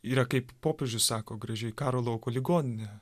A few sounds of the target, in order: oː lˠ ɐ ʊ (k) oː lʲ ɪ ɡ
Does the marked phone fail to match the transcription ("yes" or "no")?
no